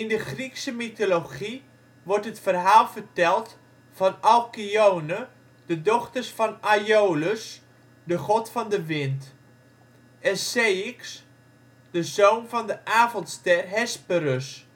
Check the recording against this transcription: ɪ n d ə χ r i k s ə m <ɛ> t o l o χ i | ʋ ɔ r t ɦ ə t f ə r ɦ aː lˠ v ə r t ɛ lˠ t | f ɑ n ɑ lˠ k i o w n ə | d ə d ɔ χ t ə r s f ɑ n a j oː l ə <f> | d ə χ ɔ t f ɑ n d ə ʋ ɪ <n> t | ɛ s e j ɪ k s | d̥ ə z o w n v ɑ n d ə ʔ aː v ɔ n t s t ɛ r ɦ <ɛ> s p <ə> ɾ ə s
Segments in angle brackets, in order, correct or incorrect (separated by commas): incorrect, incorrect, correct, correct, correct